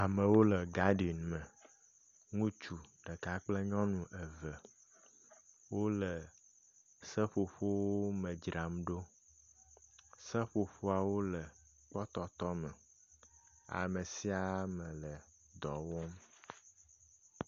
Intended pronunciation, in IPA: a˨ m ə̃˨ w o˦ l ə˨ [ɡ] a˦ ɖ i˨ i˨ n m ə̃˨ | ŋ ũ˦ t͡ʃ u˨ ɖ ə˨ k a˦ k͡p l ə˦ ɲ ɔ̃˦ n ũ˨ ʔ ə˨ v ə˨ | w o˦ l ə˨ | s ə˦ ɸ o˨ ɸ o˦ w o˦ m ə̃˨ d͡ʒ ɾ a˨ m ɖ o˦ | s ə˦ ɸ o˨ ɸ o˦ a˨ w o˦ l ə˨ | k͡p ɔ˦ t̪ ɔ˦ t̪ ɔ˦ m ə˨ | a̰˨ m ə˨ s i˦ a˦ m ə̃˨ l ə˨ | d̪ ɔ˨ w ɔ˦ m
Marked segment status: correct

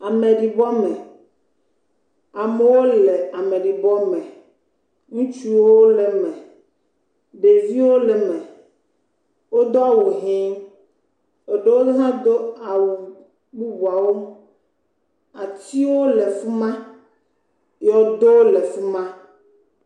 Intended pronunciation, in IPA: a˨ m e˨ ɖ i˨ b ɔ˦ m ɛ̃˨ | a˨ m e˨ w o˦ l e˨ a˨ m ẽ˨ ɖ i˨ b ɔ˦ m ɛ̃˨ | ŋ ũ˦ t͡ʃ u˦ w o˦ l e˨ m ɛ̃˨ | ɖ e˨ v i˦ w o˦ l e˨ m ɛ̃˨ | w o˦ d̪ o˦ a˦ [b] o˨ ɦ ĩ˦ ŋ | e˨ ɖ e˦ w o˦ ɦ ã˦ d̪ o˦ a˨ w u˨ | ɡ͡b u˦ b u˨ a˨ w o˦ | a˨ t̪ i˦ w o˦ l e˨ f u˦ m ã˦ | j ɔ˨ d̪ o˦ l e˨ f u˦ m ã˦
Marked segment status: incorrect: w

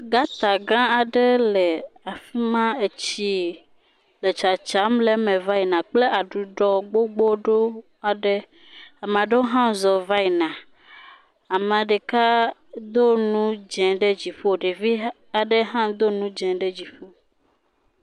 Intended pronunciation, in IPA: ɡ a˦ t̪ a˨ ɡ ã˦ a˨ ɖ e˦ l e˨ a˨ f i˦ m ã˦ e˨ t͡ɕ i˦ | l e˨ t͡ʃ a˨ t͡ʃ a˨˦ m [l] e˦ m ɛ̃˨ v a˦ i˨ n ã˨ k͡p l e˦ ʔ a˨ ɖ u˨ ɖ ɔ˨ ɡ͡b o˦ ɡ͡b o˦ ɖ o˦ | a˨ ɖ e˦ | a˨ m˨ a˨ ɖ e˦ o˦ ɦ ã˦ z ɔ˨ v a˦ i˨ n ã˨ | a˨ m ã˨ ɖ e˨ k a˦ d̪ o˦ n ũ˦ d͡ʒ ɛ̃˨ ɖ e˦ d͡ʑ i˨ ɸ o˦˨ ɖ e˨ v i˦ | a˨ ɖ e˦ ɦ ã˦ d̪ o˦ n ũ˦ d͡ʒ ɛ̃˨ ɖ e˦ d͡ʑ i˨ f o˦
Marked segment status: correct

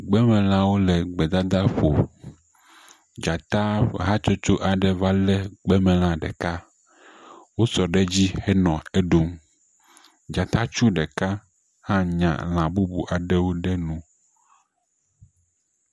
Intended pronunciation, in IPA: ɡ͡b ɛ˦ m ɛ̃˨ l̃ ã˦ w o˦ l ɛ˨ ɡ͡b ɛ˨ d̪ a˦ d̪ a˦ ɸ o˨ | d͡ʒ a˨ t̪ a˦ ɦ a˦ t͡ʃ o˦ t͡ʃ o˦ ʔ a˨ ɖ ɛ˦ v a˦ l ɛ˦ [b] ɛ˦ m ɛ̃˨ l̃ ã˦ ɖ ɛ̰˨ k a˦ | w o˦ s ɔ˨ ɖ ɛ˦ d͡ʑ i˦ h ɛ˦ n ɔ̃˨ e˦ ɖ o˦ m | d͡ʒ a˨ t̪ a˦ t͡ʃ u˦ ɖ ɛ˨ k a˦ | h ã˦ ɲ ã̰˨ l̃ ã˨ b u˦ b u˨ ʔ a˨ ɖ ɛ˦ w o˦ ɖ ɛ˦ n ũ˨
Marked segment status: incorrect: ɡ͡b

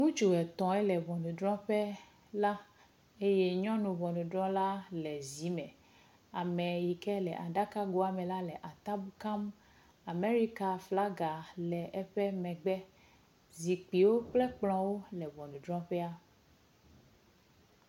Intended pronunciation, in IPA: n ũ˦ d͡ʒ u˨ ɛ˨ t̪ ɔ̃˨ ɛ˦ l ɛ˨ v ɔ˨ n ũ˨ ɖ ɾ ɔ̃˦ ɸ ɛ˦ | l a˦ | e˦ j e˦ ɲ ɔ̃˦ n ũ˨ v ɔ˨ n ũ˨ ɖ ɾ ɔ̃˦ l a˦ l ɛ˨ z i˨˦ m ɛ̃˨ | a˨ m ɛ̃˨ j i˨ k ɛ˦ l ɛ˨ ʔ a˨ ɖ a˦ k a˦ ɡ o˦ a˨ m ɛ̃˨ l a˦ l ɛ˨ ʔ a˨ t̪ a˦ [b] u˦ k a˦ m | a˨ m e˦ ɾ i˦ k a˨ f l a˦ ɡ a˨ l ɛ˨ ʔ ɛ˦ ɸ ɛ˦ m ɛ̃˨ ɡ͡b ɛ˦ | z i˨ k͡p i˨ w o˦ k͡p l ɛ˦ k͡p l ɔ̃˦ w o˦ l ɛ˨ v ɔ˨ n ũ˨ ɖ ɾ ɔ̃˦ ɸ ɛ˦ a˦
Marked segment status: correct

